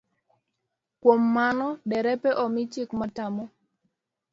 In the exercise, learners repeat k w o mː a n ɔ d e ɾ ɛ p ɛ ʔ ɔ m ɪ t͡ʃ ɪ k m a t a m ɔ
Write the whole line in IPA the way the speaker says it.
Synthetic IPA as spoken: k w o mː a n ɔ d ɛ ɾ ɛ p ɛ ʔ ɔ m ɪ t͡ʃ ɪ k m a t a m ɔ